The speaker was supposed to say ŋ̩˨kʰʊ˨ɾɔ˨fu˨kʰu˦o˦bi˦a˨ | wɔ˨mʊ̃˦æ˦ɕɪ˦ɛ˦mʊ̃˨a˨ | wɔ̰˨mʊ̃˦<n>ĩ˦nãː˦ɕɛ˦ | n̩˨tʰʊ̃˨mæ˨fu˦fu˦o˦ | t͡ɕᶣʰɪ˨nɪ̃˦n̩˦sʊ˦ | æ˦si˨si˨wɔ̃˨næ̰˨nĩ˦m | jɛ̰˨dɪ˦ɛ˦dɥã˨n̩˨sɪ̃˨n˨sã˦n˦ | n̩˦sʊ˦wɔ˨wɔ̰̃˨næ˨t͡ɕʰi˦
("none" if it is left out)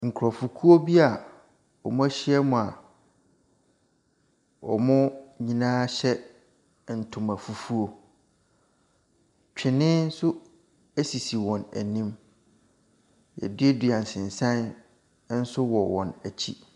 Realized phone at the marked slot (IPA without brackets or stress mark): ɲ